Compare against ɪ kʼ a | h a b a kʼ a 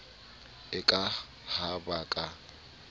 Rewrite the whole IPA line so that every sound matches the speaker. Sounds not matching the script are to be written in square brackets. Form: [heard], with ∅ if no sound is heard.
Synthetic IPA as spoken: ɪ kʼ a | h a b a kʼ a